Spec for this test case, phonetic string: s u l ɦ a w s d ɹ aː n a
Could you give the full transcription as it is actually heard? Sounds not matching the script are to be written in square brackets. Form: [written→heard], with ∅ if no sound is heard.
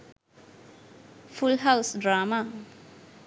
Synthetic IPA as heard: [s→f] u l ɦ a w s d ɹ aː [n→m] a